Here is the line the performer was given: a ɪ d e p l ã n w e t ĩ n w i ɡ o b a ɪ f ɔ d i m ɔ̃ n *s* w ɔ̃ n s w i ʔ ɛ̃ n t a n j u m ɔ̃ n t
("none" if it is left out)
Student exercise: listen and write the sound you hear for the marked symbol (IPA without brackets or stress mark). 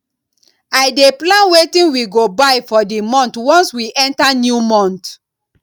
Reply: t